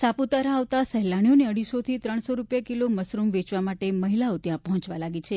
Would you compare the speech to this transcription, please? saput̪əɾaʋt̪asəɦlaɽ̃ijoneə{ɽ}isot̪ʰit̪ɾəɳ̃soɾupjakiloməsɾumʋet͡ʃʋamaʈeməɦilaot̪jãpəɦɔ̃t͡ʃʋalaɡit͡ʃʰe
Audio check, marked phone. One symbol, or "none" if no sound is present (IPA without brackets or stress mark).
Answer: ɽ